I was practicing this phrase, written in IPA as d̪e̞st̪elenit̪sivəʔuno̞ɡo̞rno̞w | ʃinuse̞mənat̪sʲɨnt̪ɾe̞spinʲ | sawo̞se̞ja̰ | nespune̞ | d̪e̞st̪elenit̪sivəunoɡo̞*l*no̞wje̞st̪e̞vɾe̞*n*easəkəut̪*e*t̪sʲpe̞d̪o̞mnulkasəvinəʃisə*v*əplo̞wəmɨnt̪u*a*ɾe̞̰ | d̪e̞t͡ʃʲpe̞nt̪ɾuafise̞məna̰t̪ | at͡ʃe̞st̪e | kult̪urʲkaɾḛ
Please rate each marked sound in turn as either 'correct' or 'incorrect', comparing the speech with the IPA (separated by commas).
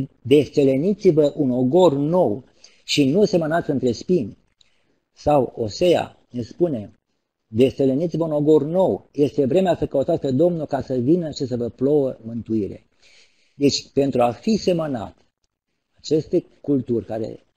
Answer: incorrect, incorrect, incorrect, correct, incorrect